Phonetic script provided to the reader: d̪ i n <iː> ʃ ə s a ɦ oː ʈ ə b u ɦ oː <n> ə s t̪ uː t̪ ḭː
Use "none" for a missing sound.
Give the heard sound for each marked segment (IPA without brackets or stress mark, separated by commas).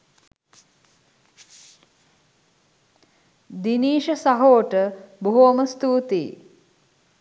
iː, m